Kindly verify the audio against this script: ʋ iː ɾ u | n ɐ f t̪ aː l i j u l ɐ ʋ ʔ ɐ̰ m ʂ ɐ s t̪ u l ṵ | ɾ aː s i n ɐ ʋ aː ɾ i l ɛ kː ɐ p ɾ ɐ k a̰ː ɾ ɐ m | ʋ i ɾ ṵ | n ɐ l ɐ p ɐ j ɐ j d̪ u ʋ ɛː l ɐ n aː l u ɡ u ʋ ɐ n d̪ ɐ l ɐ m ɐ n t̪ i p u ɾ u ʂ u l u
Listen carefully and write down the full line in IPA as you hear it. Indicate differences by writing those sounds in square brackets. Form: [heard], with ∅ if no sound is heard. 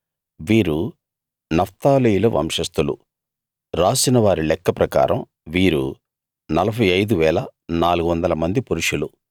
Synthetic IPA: ʋ iː ɾ u | n ɐ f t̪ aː l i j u l ɐ ʋ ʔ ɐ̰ m ʂ ɐ s t̪ u l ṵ | ɾ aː s i n ɐ ʋ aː ɾ i l ɛ kː ɐ p ɾ ɐ k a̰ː ɾ ɐ m | ʋ [iː] ɾ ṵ | n ɐ l ɐ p ɐ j ɐ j d̪ u ʋ ɛː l ɐ n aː l u ɡ u ʋ ɐ n d̪ ɐ l ɐ m ɐ n [d̪] i p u ɾ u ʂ u l u